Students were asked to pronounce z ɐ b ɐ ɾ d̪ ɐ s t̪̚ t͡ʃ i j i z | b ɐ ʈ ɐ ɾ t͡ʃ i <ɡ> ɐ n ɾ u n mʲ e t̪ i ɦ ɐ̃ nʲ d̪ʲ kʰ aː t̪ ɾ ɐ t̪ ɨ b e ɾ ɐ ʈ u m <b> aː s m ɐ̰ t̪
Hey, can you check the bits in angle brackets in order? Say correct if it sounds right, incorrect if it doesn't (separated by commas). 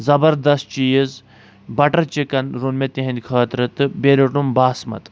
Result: incorrect, correct